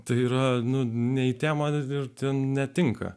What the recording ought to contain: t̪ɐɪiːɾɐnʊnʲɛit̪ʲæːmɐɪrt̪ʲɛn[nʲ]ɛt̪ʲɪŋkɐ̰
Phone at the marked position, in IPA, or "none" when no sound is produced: nʲ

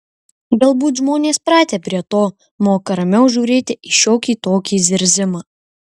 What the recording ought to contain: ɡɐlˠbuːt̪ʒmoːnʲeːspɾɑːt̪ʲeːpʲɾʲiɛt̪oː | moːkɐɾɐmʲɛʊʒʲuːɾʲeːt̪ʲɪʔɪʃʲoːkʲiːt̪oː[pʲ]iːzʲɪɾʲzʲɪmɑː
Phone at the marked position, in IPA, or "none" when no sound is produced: kʲ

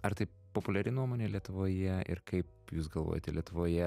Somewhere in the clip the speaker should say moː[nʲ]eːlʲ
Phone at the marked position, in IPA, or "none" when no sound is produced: nʲ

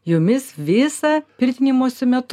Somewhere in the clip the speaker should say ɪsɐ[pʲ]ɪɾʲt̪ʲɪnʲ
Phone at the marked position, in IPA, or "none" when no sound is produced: pʲ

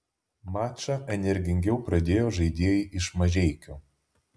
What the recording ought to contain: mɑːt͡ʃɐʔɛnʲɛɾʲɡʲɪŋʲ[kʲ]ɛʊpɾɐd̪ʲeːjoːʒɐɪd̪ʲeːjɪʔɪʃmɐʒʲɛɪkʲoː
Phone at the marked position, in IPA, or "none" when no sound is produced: ɡʲ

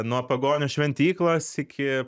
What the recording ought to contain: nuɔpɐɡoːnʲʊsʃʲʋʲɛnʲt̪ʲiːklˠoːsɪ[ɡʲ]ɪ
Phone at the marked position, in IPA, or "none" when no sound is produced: kʲ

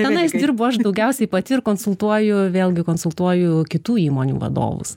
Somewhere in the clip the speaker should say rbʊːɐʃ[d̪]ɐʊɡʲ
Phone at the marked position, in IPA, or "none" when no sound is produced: d̪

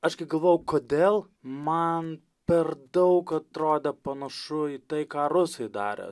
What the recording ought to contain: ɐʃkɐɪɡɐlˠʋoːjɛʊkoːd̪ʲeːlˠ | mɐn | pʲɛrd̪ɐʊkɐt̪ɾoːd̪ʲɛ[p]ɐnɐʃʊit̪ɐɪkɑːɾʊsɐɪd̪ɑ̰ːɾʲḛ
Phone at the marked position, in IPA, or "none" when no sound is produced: p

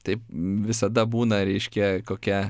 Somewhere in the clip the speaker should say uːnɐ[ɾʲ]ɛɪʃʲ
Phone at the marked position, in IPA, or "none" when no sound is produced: ɾʲ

